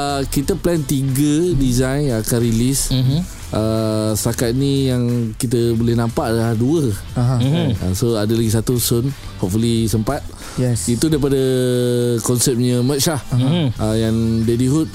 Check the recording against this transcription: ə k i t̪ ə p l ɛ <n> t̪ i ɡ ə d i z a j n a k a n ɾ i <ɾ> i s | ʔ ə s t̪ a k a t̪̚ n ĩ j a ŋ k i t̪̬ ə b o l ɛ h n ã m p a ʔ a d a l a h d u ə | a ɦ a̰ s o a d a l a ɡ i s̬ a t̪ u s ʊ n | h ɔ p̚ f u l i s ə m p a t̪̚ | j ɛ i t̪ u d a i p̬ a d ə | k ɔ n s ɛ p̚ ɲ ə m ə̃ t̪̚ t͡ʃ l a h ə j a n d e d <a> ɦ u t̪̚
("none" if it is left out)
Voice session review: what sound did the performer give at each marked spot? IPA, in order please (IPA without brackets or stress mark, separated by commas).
n, l, i